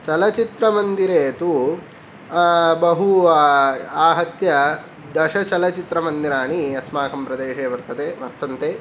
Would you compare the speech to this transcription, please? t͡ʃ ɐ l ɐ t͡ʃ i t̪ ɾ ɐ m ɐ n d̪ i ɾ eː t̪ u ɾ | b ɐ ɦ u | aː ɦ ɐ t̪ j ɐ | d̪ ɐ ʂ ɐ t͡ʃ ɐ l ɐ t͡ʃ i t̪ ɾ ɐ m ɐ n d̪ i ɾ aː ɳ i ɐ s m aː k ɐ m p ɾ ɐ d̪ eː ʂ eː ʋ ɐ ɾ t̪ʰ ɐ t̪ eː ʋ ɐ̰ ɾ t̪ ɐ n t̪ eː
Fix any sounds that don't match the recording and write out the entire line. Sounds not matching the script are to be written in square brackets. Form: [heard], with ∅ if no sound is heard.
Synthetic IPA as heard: t͡ʃ ɐ l ɐ t͡ʃ i t̪ ɾ ɐ m ɐ n d̪ i ɾ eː t̪ u [∅] | b ɐ ɦ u | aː ɦ ɐ t̪ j ɐ | d̪ ɐ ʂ ɐ t͡ʃ ɐ l ɐ t͡ʃ i t̪ ɾ ɐ m ɐ n d̪ i ɾ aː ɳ i ɐ s m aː k ɐ m p ɾ ɐ d̪ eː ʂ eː ʋ ɐ ɾ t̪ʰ ɐ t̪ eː ʋ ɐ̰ ɾ t̪ ɐ n t̪ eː